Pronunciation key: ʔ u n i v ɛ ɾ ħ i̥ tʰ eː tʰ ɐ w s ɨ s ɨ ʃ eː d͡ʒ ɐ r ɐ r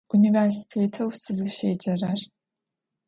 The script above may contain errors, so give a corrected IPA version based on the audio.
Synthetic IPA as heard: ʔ u n i v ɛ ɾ s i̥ tʰ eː tʰ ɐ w s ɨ z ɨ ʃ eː d͡ʒ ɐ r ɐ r